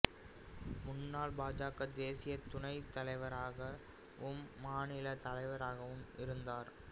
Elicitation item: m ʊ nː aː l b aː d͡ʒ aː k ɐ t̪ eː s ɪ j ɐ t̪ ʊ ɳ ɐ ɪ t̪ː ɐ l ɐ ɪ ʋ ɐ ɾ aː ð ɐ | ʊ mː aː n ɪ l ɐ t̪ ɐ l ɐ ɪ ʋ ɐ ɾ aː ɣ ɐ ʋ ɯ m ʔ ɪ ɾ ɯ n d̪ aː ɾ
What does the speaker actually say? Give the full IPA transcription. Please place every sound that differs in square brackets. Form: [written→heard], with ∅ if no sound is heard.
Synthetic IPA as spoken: m ʊ nː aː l b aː d͡ʒ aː k ɐ [t̪→d̪] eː s ɪ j ɐ t̪ ʊ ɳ ɐ ɪ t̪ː ɐ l ɐ ɪ ʋ ɐ ɾ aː [ð→ɣ] ɐ | ʊ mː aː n ɪ l ɐ t̪ ɐ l ɐ ɪ ʋ ɐ ɾ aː ɣ ɐ ʋ ɯ m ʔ ɪ ɾ ɯ n d̪ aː ɾ